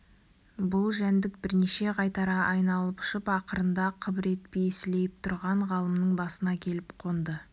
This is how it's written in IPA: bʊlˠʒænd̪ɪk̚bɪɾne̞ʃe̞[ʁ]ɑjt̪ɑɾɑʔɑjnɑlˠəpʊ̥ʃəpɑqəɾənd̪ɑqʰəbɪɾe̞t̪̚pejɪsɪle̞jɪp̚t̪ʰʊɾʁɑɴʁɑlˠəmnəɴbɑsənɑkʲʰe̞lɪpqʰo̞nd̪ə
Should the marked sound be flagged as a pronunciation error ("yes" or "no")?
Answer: no